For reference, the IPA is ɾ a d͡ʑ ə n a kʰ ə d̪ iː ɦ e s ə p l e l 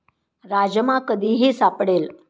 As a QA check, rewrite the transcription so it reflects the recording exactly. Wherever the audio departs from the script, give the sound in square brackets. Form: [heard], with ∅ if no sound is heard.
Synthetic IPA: ɾ a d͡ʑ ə [m] a [k] ə d̪ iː ɦ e s [a] p [ɽ] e l